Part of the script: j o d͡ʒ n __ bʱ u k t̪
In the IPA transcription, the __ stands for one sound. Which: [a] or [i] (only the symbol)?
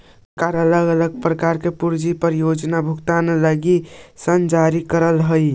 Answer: a